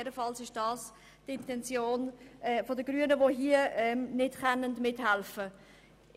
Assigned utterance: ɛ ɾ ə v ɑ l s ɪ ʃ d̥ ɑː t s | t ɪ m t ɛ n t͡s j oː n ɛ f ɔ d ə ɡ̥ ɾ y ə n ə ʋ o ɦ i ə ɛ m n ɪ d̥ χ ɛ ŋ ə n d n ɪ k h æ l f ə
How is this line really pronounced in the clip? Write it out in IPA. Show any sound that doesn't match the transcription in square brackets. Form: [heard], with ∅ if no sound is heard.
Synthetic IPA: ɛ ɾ ə [f] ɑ l s ɪ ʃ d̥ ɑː [∅] s | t ɪ [n] t ɛ n t͡s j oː n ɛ f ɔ d ə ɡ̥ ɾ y ə n ə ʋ o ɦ i ə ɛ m n ɪ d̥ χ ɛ [n] ə n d [m] ɪ [t] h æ l f ə